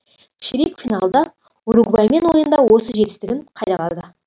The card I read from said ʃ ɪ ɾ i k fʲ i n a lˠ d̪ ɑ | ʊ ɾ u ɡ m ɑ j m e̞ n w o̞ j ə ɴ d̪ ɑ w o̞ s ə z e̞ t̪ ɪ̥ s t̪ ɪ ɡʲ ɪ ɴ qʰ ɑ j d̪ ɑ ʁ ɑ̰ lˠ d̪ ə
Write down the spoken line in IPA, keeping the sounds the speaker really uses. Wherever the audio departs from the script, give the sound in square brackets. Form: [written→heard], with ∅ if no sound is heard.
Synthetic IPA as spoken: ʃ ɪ ɾ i k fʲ i n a lˠ d̪ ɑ | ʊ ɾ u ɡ [m→b] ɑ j m e̞ n w o̞ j ə [ɴ→n] d̪ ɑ w o̞ s ə [z→ʒ] e̞ t̪ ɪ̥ s t̪ ɪ ɡʲ ɪ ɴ qʰ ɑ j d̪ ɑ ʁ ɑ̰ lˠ d̪ ə